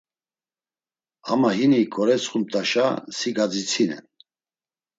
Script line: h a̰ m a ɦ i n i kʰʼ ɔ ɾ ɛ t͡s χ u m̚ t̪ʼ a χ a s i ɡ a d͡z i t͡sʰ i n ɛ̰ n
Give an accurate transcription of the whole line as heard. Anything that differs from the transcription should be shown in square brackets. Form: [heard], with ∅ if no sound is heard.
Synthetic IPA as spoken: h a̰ m a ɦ i n i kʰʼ ɔ ɾ ɛ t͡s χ u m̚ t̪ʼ a [ʃ] a s i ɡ a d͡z i t͡sʰ i n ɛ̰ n